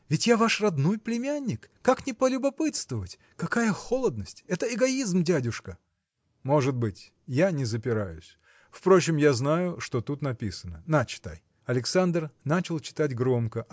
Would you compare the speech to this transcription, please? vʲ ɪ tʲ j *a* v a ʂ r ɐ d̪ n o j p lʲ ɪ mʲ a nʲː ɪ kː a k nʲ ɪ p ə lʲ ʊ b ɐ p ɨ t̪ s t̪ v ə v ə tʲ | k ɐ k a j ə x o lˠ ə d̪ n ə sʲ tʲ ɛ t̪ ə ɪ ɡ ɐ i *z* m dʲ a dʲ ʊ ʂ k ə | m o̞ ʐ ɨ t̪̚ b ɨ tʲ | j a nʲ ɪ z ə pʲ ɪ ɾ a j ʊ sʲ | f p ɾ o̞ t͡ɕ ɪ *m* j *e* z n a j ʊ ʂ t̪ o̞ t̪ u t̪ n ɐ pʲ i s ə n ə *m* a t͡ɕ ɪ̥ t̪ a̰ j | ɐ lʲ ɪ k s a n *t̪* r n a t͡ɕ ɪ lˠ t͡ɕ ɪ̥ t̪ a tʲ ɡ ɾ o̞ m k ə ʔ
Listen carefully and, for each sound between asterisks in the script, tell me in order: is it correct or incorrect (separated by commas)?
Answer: correct, correct, correct, incorrect, incorrect, incorrect